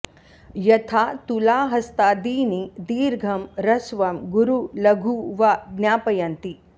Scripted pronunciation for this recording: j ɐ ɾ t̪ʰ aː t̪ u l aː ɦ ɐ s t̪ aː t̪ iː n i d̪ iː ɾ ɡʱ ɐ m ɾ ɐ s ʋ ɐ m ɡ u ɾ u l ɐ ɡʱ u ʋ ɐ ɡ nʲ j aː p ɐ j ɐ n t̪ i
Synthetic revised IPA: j ɐ t̪ʰ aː t̪ u l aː ɦ ɐ s t̪ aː d̪ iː n i d̪ iː ɾ ɡʱ ɐ m ɾ ɐ s ʋ ɐ m ɡ u ɾ u l ɐ ɡʱ u ʋ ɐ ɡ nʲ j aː p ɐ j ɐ n t̪ i